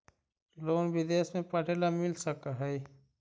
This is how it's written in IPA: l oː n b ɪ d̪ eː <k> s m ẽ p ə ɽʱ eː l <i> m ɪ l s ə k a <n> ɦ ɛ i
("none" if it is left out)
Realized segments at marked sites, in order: none, a, none

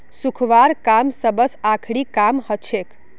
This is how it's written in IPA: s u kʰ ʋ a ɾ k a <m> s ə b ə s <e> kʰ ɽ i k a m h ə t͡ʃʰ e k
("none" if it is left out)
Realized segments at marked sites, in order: m, a

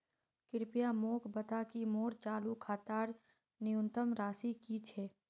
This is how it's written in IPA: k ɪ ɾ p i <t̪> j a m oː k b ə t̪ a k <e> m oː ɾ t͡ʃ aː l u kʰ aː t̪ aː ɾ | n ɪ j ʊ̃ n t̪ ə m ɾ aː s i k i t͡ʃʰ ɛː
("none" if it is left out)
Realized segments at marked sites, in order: none, i

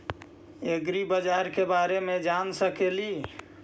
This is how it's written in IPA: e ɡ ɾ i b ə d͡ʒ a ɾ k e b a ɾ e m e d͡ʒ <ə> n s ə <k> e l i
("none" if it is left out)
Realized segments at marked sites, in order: a, k

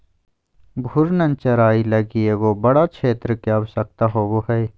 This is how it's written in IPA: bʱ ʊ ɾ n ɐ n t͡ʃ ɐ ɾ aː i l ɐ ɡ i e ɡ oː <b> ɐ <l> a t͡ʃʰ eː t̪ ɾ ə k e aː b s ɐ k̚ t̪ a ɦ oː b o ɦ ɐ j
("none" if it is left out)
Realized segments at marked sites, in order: b, ɽ

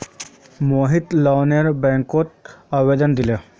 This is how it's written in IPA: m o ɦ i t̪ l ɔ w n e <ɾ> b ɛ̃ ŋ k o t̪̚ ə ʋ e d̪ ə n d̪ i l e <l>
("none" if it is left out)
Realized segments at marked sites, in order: ɾ, none

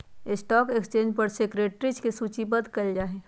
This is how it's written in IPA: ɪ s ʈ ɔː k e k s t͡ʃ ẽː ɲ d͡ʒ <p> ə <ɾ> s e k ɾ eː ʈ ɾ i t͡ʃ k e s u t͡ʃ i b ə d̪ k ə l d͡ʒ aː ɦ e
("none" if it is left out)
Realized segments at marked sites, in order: p, ɾ

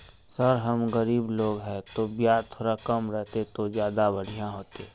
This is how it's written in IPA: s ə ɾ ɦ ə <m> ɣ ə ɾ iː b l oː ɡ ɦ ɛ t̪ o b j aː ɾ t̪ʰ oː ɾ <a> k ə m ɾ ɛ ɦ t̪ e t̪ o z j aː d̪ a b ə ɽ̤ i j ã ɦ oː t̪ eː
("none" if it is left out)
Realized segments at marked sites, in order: m, a

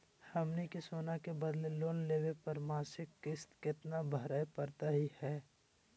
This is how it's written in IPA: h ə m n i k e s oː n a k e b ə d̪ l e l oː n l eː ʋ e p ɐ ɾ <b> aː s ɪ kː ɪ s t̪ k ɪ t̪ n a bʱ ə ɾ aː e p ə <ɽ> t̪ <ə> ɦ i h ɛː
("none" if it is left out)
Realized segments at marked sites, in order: m, ɾ, a

